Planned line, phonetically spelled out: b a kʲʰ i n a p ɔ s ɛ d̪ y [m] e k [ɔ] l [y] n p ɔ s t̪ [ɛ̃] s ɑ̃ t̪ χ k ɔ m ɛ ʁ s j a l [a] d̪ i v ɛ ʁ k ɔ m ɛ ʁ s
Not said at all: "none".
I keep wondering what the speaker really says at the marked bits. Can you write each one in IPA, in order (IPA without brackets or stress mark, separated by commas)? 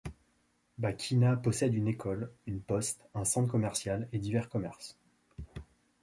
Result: n, ɔ, y, ɛ̃, e